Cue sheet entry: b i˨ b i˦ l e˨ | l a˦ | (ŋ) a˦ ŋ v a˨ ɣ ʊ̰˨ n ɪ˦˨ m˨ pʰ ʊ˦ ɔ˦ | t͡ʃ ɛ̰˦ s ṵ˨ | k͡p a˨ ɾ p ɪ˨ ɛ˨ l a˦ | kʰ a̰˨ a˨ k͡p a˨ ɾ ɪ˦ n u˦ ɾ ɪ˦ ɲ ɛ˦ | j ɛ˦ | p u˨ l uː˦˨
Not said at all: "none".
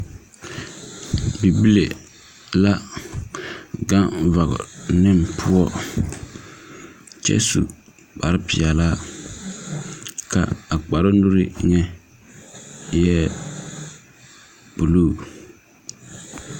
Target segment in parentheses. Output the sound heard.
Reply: ɡ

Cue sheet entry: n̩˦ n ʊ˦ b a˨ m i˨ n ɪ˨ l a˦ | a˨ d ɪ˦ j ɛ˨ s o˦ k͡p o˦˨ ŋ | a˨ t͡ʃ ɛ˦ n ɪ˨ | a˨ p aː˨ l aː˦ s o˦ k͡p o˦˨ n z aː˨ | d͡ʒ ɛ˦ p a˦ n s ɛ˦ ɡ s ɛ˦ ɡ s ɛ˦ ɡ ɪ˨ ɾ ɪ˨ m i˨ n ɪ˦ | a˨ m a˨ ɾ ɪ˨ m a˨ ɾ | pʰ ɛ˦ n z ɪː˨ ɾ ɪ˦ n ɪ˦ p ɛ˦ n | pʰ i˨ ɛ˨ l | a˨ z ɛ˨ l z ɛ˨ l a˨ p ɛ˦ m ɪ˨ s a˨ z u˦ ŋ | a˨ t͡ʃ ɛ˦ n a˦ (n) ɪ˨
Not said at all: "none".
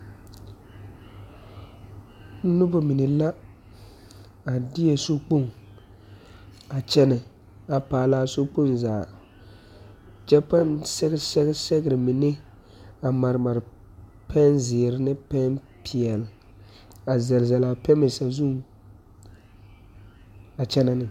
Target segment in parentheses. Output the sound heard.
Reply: n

